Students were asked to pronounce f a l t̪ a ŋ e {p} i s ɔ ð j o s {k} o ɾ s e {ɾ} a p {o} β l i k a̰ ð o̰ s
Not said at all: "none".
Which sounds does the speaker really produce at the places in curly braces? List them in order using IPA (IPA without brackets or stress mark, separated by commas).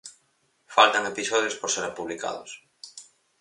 p, p, ɾ, u